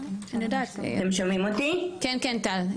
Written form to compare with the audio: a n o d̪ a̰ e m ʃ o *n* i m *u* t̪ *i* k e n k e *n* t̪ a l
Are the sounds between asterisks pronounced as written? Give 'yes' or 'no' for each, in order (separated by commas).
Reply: no, no, yes, yes